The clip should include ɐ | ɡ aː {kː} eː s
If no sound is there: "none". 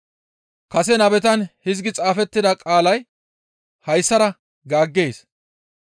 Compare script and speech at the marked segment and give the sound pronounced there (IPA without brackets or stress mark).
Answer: ɡː